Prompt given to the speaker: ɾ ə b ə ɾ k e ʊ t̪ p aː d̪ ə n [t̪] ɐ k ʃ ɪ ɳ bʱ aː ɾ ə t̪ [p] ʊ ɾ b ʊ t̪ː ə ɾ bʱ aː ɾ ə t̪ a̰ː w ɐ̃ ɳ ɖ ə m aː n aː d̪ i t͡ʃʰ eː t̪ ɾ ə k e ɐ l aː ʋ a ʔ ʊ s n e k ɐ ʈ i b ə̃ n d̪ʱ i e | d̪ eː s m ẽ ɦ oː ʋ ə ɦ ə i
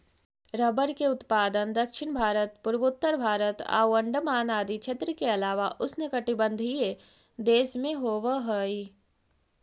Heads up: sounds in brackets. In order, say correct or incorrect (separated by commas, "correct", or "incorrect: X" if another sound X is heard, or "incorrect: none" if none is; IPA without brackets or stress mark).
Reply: incorrect: d̪, correct